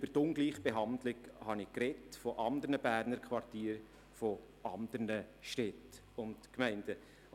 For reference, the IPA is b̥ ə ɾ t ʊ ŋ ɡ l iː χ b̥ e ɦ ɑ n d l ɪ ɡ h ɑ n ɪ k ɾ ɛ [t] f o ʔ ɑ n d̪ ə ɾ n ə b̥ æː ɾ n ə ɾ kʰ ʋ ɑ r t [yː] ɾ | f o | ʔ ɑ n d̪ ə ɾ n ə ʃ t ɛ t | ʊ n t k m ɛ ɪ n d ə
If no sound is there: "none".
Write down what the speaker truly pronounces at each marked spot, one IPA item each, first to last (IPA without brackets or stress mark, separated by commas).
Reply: t, iː